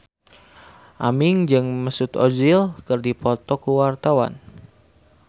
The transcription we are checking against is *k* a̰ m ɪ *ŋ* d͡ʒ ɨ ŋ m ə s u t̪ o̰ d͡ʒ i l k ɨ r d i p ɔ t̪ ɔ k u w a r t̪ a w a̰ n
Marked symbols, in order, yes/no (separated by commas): no, yes